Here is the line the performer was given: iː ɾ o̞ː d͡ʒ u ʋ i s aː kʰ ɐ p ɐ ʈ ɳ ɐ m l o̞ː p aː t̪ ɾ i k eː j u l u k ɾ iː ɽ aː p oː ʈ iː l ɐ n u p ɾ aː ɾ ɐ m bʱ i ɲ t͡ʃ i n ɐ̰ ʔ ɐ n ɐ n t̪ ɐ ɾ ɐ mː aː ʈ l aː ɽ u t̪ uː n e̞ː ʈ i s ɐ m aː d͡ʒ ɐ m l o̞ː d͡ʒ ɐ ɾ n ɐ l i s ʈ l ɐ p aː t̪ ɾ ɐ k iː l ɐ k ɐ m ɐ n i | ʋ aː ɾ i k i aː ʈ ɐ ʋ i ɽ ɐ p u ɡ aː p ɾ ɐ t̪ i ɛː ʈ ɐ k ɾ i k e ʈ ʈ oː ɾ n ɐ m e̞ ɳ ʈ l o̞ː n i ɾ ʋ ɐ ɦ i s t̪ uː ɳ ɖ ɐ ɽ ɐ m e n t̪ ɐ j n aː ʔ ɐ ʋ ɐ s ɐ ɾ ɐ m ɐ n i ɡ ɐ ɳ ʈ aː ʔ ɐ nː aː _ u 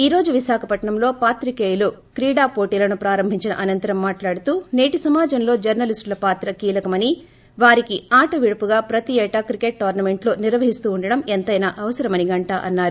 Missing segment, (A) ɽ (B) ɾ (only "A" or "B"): B